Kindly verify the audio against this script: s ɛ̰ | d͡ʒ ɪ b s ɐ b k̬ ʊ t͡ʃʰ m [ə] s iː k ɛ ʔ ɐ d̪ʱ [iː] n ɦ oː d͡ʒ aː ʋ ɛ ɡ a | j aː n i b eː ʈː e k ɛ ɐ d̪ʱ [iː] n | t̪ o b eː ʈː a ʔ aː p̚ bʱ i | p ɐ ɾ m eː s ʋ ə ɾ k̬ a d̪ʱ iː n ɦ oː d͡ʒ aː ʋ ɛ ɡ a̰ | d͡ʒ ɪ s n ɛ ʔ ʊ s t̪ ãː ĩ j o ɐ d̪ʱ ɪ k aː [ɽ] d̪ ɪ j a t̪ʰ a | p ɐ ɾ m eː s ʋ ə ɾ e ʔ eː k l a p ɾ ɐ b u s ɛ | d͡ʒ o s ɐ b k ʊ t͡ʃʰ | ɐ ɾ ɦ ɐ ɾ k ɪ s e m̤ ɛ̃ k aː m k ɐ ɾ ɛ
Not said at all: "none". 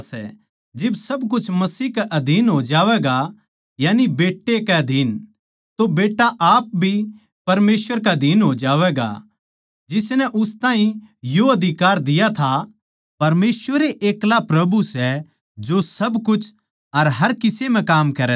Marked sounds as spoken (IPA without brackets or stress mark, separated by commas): ɐ, iː, iː, ɾ